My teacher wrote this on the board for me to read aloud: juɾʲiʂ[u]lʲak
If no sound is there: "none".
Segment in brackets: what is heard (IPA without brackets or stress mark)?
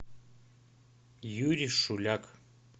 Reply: u